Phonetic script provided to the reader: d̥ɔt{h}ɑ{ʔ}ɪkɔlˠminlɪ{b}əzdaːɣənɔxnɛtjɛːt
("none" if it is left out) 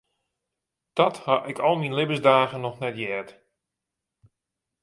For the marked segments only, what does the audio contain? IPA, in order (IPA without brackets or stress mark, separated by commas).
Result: h, ʔ, b